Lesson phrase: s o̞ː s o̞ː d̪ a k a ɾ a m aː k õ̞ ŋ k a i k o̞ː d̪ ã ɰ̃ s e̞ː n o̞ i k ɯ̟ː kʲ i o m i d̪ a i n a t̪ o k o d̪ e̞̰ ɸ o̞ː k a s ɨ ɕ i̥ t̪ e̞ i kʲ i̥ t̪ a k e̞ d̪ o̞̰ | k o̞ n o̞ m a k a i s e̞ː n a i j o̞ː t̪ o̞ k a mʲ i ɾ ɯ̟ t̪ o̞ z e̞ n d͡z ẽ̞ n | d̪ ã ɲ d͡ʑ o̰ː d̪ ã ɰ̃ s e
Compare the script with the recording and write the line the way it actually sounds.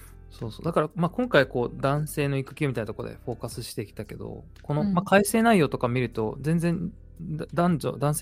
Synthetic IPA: s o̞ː s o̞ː d̪ a k a ɾ a m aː k õ̞ ŋ k a i k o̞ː d̪ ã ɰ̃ s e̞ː n o̞ i k ɯ̟ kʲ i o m i t̪ a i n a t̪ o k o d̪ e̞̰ ɸ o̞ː k a s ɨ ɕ i̥ t̪ e̞ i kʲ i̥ t̪ a k e̞ d̪ o̞̰ | k o̞ n o̞ m a k a i s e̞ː n a i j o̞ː t̪ o̞ k a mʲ i ɾ ɯ̟ t̪ o̞ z ẽ̞ n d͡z ẽ̞ n | d̪ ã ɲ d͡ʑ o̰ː d̪ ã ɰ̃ s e